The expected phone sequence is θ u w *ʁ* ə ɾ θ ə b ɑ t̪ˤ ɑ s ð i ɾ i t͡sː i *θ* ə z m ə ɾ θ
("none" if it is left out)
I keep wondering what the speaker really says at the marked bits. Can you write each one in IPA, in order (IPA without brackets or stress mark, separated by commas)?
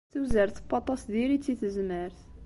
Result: z, θ